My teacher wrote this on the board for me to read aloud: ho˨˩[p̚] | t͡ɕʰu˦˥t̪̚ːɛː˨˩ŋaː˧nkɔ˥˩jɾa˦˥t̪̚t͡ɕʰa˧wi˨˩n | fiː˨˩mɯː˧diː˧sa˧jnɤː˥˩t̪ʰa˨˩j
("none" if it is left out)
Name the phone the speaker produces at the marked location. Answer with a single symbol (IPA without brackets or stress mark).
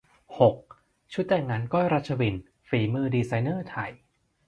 k̚